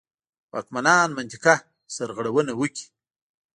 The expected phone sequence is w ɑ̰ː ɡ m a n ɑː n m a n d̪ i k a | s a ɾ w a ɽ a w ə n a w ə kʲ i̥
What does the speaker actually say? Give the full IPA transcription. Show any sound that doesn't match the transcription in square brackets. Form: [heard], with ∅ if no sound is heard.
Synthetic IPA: w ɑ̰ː [k] m a n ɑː n m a n [t̪] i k a | s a ɾ [ɣ] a ɽ a w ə n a w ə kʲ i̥